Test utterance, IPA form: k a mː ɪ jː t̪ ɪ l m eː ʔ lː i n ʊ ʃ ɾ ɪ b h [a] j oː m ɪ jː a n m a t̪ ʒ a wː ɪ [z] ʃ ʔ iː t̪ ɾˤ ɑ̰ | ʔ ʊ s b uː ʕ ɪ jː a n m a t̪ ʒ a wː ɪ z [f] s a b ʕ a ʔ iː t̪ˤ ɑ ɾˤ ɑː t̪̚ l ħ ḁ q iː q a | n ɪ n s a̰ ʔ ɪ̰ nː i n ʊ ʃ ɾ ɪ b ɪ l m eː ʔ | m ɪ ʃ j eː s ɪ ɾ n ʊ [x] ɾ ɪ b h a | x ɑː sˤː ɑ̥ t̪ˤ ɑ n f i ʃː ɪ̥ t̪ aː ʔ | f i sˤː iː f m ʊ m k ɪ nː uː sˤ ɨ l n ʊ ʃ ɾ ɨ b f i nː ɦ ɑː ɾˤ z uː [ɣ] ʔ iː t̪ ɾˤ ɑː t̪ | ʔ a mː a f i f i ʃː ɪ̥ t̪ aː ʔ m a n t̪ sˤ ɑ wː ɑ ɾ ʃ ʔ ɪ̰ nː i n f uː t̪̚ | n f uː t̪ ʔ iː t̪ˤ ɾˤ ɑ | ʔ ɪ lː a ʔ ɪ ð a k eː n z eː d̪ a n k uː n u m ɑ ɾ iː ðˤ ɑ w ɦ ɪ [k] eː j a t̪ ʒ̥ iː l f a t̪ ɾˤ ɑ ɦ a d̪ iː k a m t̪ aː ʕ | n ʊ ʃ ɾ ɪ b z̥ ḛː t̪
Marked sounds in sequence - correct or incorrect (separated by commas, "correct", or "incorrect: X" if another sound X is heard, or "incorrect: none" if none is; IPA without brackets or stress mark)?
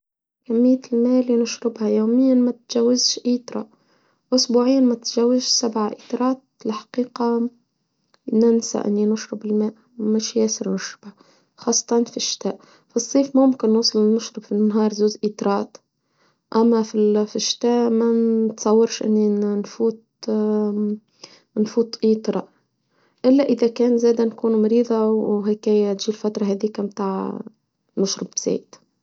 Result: correct, correct, incorrect: ʃ, incorrect: ʃ, incorrect: z, correct